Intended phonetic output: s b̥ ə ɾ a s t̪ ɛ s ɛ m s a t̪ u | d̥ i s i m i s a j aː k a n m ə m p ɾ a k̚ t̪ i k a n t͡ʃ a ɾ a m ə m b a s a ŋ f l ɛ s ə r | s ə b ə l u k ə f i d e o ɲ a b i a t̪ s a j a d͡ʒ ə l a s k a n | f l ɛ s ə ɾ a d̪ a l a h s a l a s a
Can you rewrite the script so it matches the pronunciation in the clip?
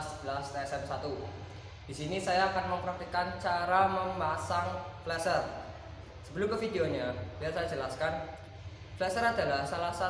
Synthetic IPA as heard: s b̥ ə l a s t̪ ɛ s ɛ m s a t̪ u | d̥ i s i n i s a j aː k a n m ə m p ɾ a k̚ t̪ i k a n t͡ʃ a ɾ a m ə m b a s a ŋ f l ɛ s ə r | s ə b ə l u k ə f i d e o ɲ a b i a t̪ s a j a d͡ʒ ə l a s k a n | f l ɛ s ə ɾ a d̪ a l a h s a l a s a